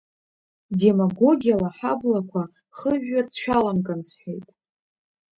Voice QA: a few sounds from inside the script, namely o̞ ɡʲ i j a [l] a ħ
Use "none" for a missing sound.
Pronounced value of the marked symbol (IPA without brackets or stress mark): l